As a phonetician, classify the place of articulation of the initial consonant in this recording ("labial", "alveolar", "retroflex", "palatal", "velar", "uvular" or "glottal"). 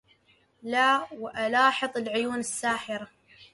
alveolar